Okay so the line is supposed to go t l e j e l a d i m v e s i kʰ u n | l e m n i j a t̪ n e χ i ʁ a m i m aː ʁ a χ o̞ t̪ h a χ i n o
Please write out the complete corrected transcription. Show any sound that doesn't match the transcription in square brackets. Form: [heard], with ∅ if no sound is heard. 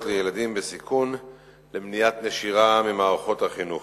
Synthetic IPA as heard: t l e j e l a d i m [b] e s i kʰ u n | l e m n i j a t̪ n e [ʃ] i ʁ a m i m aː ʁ a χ o̞ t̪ h a χ i n [u]

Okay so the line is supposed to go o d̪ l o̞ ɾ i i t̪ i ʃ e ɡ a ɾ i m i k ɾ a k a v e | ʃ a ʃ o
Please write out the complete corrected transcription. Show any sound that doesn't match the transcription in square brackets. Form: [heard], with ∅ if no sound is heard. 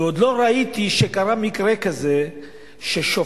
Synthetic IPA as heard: o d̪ l o̞ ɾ [a] i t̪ i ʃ e [k] a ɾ [a] m i k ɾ [e] k a [z] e | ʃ [e] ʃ o

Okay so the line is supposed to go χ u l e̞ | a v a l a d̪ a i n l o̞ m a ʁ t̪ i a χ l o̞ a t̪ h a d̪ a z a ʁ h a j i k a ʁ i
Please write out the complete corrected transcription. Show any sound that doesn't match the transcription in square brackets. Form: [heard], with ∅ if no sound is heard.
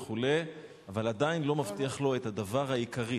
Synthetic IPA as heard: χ u l e̞ | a v a l a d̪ a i n l o̞ m a [v] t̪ i a χ l o̞ [e] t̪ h a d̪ a [v] a ʁ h a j i k a ʁ i

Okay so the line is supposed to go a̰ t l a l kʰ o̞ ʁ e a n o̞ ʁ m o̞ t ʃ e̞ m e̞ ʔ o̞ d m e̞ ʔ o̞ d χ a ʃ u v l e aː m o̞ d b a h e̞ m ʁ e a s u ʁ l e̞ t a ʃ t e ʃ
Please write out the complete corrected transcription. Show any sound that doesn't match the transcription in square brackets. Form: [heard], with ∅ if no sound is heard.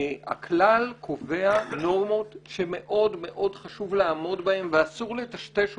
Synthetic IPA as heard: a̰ [k] l a l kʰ o̞ [v] e a n o̞ ʁ m o̞ t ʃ e̞ m e̞ ʔ o̞ d m e̞ ʔ o̞ d χ a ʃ u v l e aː m o̞ d b a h e̞ m [v] e a s u ʁ l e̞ t a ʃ t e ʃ

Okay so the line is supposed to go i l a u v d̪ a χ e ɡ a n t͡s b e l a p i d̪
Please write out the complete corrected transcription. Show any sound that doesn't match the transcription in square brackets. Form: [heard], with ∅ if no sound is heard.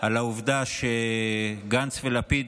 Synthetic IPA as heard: [a] l a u v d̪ a [ʃ] e ɡ a n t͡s [v] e l a p i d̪

